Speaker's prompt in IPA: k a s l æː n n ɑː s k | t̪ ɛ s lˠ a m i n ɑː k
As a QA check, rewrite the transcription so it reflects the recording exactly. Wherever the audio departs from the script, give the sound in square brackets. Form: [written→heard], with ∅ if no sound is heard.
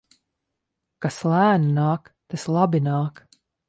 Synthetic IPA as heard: k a s l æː n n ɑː [s→∅] k | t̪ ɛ s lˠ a [m→b] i n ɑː k